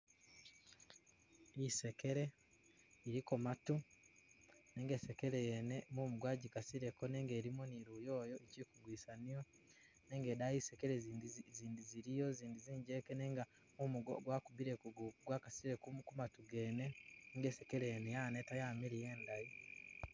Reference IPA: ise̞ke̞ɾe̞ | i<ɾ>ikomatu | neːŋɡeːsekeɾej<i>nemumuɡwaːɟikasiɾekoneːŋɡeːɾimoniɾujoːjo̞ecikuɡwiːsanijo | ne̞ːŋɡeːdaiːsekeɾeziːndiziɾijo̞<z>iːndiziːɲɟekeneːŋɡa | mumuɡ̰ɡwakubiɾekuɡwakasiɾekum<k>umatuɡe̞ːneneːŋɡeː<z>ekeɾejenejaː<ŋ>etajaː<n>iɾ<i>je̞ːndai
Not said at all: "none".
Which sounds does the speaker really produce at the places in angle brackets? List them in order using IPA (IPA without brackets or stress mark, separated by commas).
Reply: ɾ, e, z, k, s, n, m, i